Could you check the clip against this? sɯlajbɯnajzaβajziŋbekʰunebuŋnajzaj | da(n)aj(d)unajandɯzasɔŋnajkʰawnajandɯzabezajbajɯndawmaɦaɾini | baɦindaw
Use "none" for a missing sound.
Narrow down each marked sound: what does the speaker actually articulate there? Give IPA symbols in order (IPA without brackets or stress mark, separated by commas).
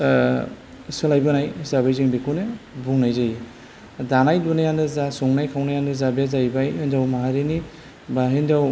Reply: n, d